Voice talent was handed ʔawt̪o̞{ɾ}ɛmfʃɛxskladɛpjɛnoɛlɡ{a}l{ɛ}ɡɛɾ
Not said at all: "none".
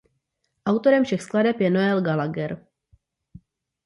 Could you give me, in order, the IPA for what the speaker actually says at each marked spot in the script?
ɾ, a, a

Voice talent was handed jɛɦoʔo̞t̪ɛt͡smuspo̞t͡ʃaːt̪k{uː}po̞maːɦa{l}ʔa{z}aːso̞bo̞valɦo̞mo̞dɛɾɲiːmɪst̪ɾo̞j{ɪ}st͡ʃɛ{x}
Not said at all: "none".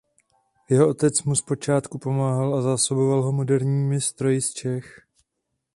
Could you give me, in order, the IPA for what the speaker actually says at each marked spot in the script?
u, l, z, ɪ, x

